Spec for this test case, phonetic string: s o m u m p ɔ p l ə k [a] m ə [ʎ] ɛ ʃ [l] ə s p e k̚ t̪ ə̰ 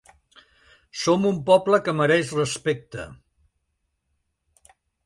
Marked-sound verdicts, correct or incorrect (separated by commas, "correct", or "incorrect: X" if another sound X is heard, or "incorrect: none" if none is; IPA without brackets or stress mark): incorrect: ə, incorrect: ɾ, incorrect: r